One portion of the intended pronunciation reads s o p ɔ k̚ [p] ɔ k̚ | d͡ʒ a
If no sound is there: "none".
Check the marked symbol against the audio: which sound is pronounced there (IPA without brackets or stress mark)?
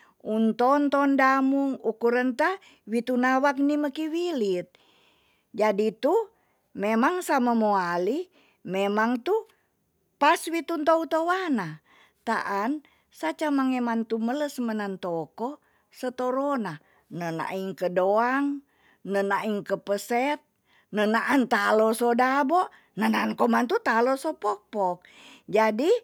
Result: p